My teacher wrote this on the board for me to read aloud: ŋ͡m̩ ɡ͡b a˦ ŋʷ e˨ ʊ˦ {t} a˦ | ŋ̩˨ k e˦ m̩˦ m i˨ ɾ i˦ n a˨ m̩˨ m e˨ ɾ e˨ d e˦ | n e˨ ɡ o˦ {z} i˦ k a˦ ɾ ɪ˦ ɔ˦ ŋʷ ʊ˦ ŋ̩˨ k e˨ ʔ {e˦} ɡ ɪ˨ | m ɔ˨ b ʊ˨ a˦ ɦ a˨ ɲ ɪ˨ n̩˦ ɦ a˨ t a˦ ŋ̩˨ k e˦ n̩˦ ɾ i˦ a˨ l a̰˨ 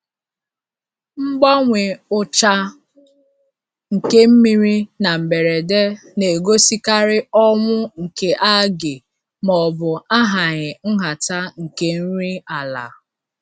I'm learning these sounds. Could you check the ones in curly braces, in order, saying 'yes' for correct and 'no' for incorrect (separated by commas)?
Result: no, no, no